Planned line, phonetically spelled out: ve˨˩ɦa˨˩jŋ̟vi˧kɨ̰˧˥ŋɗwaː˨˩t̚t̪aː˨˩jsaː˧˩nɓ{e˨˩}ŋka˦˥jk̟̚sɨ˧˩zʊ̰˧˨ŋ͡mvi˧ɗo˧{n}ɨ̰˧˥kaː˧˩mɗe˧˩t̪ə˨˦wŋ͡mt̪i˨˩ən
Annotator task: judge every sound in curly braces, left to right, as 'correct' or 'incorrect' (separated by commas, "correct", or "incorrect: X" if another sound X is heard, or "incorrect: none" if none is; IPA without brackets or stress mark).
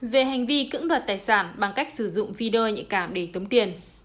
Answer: incorrect: a˨˩, incorrect: ɲ